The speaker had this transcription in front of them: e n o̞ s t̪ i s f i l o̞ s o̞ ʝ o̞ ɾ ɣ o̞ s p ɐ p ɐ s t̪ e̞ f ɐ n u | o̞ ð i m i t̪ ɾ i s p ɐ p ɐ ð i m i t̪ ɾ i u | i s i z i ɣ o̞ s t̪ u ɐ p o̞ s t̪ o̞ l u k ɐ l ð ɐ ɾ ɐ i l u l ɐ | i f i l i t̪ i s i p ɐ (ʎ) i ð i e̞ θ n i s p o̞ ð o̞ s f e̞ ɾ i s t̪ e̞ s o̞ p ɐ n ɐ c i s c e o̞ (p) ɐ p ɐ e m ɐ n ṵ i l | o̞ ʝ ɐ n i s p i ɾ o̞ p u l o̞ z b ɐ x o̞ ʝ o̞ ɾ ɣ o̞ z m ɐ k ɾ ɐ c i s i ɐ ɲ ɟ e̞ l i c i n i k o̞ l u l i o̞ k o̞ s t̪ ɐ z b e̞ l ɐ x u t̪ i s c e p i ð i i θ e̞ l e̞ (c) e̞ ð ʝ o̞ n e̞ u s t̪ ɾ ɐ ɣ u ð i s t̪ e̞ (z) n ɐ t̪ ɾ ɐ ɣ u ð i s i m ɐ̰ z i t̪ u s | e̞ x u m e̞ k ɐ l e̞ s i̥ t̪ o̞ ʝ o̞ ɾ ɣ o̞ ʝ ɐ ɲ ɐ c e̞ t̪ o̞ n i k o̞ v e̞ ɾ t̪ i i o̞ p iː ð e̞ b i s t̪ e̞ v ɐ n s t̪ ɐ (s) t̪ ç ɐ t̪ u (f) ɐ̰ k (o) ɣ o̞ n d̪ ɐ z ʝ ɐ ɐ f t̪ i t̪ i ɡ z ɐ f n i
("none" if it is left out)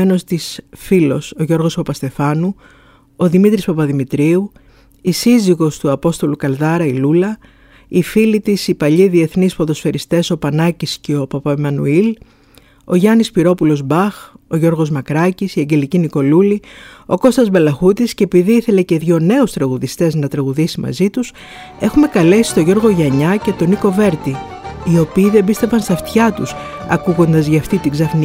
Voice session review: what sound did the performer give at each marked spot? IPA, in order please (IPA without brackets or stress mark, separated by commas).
ʎ, p, c, z, f, s, u